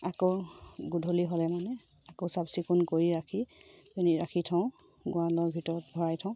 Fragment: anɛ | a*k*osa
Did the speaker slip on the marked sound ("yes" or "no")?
no